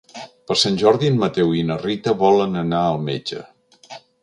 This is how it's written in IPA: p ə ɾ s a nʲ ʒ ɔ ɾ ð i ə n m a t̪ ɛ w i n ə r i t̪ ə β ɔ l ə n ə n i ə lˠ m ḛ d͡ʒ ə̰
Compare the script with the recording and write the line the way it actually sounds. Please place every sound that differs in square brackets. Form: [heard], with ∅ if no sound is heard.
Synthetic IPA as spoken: p ə ɾ s a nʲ ʒ ɔ ɾ ð i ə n m [ə] t̪ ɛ w i n ə r i t̪ ə β ɔ l ə n ə n [a] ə lˠ m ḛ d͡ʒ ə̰